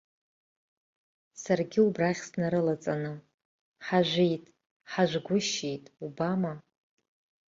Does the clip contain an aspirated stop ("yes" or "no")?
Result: no